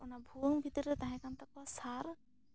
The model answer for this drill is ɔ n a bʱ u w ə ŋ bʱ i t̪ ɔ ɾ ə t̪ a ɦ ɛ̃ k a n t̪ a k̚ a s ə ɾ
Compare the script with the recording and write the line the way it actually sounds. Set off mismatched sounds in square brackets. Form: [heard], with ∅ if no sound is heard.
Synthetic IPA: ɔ n a bʱ u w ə ŋ bʱ i t̪ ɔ ɾ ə t̪ a ɦ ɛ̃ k a n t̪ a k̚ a s [a] ɾ

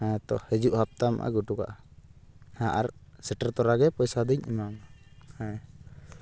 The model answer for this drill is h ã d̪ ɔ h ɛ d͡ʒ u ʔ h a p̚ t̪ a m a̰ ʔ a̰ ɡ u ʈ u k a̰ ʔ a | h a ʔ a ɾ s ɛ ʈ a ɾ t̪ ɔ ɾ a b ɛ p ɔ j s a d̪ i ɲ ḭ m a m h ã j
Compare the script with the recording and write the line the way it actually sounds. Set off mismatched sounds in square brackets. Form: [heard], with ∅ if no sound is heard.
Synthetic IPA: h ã [t̪] ɔ h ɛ d͡ʒ u ʔ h a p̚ t̪ a m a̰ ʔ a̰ ɡ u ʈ u k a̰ ʔ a | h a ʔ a ɾ s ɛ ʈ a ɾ t̪ ɔ ɾ a [ɡ] ɛ p ɔ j s a d̪ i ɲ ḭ m a m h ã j

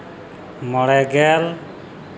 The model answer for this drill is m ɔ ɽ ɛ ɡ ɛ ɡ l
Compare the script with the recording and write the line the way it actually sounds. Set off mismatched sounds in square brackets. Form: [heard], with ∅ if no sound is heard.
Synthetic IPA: m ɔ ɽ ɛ ɡ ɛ [∅] l

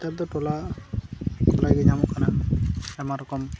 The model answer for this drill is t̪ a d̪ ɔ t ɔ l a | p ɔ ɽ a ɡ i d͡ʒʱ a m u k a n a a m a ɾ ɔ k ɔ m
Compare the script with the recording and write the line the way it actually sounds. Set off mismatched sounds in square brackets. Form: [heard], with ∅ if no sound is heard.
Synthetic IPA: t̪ a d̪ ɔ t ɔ l a | [k] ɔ [l] a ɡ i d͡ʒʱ a m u k a n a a m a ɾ ɔ k ɔ m

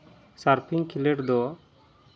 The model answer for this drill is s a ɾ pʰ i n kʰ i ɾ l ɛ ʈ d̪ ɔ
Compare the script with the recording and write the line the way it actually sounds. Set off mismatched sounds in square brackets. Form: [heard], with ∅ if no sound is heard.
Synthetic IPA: s a ɾ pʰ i [ŋ] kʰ i [∅] l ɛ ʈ d̪ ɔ

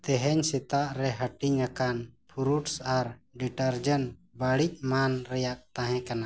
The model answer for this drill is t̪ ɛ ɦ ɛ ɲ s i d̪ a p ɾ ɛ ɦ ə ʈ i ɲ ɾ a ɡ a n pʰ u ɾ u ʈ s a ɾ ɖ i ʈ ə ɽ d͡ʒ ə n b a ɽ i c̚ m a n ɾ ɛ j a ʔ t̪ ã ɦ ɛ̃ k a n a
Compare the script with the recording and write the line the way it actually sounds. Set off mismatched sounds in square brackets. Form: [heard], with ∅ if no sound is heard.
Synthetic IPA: t̪ ɛ ɦ ɛ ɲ s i [t̪] a [ʔ] ɾ ɛ ɦ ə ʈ i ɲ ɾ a [k] a n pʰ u ɾ u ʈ s a ɾ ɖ i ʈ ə [ɾ] d͡ʒ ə n b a ɽ i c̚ m a n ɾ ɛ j a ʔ t̪ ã ɦ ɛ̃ k a n a

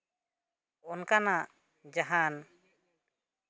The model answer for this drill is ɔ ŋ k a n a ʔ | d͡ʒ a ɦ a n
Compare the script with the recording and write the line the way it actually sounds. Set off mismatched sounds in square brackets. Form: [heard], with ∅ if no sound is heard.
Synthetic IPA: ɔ [n] k a n a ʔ | d͡ʒ a ɦ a n

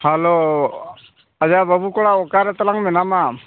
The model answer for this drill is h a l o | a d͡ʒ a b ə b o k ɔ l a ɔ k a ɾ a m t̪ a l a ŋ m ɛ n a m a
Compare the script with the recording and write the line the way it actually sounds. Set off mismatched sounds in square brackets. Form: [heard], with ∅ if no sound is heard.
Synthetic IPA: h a l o | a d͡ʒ a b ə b [u] k ɔ [ɽ] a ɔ k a ɾ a [∅] t̪ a l a ŋ m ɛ n a m a

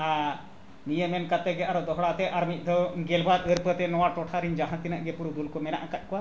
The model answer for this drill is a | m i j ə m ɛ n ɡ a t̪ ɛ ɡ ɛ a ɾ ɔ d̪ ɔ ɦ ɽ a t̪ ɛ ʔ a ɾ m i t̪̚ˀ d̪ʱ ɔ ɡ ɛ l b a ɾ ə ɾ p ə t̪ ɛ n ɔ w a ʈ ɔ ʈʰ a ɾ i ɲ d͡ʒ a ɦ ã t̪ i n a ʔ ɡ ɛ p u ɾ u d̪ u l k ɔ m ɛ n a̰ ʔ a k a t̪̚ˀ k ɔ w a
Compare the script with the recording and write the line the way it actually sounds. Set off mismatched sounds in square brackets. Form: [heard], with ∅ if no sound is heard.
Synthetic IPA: a | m i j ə m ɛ n [k] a t̪ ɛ ɡ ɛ a ɾ ɔ d̪ ɔ ɦ ɽ a t̪ ɛ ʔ a ɾ m i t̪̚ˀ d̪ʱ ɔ ɡ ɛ l b a ɾ ə ɾ p ə t̪ ɛ n ɔ w a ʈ ɔ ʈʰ a ɾ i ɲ d͡ʒ a ɦ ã t̪ i n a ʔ ɡ ɛ p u ɾ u d̪ u l k ɔ m ɛ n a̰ ʔ a k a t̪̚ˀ k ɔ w a

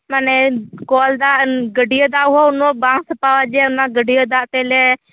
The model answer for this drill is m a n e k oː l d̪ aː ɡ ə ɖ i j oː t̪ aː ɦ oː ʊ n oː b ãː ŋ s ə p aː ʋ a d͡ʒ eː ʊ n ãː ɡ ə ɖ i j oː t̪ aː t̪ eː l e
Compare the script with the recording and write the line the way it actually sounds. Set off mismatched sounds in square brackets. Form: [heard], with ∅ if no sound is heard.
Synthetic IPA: m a n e k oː l d̪ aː ɡ ə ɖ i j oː [d̪] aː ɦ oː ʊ n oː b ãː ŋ s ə p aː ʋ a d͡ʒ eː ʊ n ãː ɡ ə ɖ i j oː [d̪] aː t̪ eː l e

